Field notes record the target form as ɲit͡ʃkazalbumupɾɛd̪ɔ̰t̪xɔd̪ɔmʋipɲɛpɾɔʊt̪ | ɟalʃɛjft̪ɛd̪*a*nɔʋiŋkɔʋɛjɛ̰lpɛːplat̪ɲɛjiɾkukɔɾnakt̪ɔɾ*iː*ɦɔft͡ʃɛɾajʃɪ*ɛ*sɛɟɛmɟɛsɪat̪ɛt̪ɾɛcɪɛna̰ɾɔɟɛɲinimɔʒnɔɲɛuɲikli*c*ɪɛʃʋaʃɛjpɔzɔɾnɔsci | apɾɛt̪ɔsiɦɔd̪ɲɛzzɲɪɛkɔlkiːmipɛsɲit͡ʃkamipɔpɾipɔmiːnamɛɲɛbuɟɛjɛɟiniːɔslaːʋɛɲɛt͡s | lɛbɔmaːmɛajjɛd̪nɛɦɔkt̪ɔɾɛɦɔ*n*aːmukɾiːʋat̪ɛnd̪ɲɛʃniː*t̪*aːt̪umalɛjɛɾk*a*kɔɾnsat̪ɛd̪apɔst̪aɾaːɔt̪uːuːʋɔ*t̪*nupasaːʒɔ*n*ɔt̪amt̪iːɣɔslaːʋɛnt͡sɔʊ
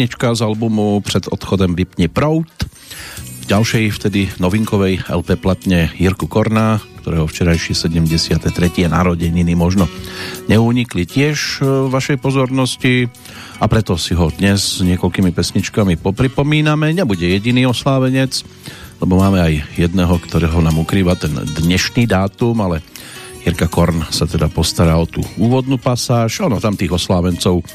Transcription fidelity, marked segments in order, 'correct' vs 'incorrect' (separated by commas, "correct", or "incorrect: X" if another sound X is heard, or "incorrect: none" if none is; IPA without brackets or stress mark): incorrect: i, incorrect: ɛː, correct, correct, correct, incorrect: d̪, correct, incorrect: d̪, correct